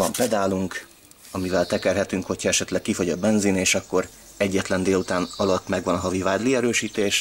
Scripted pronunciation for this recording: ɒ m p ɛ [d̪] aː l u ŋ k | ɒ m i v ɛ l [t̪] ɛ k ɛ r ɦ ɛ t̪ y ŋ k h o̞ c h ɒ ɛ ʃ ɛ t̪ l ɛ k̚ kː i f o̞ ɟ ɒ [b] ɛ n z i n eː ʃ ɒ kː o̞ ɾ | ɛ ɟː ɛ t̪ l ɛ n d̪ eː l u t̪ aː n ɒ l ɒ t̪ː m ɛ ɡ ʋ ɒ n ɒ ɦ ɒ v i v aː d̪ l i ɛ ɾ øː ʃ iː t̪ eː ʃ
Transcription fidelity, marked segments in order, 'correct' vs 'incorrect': correct, correct, correct

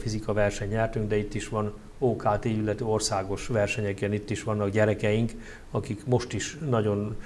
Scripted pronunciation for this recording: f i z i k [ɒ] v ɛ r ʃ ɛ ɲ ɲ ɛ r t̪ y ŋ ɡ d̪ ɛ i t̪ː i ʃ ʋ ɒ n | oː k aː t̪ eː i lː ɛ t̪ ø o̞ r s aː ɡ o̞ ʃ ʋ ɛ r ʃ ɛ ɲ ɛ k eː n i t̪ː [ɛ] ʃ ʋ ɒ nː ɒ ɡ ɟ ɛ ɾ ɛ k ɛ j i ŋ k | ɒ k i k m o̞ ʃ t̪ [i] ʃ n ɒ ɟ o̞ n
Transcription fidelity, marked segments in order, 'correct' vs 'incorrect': correct, incorrect: i, correct

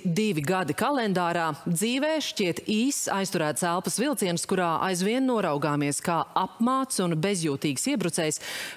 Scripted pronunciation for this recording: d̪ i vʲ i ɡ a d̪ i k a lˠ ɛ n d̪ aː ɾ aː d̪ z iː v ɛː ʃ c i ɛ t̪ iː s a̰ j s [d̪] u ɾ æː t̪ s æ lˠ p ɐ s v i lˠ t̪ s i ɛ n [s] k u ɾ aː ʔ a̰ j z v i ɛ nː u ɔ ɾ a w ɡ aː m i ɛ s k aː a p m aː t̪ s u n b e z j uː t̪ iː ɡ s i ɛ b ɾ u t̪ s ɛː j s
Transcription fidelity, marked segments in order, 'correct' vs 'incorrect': incorrect: t̪, correct

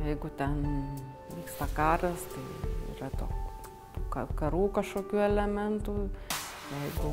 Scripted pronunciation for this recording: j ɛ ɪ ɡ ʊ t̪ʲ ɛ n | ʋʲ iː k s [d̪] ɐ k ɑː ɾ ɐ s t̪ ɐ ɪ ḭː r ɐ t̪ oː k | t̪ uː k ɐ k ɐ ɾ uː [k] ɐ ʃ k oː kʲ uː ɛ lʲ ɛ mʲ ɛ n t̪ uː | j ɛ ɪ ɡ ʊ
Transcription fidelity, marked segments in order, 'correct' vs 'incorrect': incorrect: t̪, correct

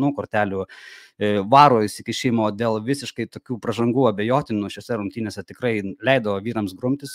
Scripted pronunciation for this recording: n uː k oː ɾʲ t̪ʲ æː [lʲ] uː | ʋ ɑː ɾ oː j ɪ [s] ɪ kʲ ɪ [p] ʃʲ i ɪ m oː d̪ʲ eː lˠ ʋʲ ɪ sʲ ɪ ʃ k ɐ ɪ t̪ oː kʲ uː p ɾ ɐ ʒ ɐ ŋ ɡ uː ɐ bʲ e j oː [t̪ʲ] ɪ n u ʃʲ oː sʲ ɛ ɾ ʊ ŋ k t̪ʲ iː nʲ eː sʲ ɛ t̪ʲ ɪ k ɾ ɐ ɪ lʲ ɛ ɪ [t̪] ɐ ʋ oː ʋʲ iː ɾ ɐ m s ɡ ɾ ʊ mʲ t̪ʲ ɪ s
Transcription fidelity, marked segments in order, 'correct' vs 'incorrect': correct, correct, incorrect: none, correct, incorrect: d̪

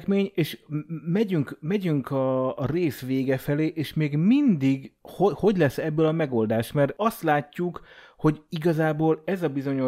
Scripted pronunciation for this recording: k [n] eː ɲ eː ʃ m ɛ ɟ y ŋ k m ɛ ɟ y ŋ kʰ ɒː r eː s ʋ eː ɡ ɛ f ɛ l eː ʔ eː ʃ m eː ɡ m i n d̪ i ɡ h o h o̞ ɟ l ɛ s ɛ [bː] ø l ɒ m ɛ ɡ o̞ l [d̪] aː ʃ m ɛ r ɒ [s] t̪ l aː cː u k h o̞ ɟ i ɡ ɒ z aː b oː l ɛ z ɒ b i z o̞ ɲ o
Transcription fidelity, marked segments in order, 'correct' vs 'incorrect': incorrect: m, correct, correct, correct

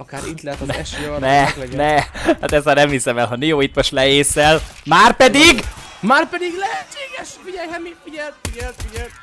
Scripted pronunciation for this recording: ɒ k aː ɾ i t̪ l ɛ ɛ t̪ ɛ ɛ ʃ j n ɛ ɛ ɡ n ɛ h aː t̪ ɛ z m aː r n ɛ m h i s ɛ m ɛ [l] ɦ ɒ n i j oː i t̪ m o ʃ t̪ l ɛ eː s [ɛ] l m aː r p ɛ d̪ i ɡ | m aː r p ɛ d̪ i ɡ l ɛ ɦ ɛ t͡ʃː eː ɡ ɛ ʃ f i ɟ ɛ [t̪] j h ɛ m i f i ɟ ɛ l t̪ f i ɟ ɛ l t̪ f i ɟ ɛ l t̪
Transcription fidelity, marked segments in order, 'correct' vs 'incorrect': correct, correct, incorrect: none

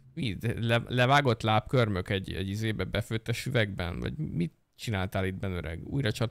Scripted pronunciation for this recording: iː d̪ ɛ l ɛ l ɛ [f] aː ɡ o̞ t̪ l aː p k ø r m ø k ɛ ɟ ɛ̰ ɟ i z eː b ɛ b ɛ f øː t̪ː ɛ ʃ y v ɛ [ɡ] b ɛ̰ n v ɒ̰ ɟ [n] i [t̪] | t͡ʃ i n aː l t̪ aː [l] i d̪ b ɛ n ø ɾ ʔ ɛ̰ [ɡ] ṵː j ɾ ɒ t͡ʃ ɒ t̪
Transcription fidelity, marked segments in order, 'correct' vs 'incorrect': incorrect: v, correct, incorrect: m, correct, correct, correct

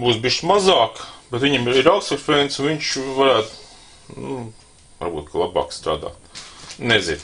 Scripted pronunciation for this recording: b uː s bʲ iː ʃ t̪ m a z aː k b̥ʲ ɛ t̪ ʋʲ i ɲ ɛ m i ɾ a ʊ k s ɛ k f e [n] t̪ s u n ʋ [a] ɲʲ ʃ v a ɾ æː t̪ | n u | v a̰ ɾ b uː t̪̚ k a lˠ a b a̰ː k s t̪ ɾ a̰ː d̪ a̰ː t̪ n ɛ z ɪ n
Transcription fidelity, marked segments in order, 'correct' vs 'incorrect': correct, incorrect: i

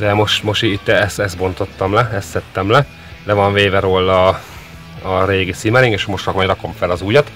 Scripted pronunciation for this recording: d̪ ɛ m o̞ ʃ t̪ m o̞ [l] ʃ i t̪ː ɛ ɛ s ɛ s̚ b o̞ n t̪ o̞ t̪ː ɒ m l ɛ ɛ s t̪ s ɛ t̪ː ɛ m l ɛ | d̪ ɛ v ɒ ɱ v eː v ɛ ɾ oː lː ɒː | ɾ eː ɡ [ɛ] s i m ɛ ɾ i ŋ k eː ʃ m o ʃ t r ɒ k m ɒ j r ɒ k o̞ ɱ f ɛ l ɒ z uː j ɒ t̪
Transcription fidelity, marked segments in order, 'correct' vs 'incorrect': incorrect: none, incorrect: i

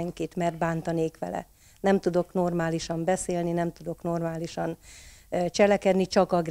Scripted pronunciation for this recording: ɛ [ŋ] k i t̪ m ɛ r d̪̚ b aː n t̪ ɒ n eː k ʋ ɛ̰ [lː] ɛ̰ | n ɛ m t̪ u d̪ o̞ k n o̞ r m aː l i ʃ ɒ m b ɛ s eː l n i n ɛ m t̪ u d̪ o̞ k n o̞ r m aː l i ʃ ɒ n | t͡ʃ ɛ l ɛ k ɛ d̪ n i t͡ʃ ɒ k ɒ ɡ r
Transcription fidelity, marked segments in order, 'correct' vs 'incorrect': correct, incorrect: l

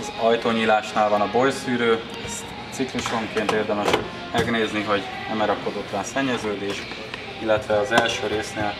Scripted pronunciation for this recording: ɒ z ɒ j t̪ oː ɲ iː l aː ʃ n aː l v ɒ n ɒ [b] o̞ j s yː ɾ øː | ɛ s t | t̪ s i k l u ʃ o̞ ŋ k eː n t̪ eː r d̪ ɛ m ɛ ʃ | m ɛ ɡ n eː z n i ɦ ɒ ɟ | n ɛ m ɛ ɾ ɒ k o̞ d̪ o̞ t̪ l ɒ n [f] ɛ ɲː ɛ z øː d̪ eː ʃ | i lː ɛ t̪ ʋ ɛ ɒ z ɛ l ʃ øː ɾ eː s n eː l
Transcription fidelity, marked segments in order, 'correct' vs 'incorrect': correct, incorrect: s

